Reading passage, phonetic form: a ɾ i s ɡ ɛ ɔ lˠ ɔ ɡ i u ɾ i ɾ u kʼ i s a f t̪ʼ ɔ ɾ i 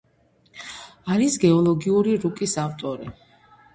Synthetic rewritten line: a ɾ i s ɡ ɛ ɔ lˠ ɔ ɡ i u ɾ i ɾ u kʼ i s a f t̪ʼ ɔ ɾ i